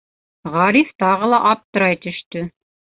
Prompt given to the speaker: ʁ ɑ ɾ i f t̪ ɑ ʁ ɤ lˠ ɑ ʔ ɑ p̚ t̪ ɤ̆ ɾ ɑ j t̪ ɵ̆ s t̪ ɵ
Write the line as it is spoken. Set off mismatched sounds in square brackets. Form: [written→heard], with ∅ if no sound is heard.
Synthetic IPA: ʁ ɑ ɾ i f t̪ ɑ ʁ ɤ lˠ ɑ ʔ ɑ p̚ t̪ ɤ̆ ɾ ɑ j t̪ ɵ̆ [s→ʃ] t̪ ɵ